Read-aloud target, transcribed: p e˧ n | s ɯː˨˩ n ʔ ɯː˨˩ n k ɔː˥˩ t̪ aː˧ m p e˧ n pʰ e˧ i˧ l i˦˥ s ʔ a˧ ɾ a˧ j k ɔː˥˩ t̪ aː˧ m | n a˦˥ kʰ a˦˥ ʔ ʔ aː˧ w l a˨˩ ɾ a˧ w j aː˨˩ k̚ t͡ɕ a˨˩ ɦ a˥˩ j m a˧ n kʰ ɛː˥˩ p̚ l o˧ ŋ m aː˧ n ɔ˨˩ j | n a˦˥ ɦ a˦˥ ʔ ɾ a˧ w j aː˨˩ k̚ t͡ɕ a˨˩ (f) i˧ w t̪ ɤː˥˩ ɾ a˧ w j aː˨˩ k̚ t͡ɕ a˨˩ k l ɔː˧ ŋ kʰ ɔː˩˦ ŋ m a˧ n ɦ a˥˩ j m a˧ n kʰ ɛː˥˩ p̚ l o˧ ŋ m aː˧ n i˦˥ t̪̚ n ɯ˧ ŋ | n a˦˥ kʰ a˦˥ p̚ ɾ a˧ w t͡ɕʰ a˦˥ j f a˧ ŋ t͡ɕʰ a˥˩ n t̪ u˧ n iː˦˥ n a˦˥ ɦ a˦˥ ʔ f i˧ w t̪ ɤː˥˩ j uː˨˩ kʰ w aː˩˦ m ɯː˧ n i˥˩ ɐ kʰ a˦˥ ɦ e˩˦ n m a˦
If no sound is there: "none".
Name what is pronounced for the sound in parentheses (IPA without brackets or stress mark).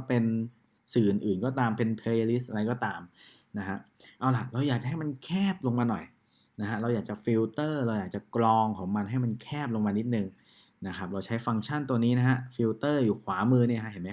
f